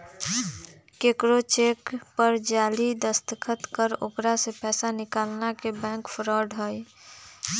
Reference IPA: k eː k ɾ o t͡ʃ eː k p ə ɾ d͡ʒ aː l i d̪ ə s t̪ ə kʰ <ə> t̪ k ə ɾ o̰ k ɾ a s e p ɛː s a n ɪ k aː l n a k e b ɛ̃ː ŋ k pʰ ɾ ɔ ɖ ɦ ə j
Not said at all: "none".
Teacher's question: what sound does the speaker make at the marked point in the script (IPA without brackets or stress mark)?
ə